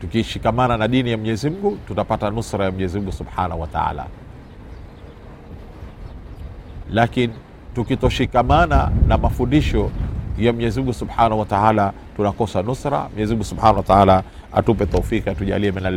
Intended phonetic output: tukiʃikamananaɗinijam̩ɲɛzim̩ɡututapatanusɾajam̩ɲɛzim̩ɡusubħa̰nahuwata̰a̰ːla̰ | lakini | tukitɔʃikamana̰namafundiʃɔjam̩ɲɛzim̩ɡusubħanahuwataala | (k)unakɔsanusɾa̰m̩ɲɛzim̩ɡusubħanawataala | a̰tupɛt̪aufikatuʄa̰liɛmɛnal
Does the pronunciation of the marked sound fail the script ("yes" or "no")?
yes